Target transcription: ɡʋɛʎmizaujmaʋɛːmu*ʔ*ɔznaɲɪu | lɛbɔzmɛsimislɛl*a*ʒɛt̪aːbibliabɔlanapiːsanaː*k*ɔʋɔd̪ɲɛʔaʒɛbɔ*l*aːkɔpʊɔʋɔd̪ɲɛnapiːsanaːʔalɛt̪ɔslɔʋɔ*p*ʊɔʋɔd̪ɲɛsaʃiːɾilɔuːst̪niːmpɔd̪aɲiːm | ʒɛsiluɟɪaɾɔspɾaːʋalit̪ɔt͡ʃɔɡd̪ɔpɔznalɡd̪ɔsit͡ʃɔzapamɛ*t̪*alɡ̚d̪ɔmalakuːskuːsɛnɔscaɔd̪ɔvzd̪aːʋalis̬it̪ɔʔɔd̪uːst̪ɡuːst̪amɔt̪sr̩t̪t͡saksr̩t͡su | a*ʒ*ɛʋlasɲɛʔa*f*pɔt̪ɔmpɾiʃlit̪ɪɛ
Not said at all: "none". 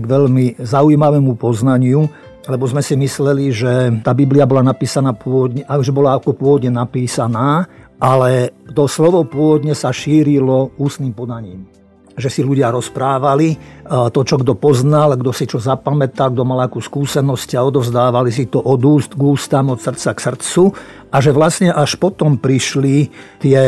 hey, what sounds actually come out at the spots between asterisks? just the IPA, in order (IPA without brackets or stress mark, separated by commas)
p, i, p, l, p, t̪, ʒ, ʃ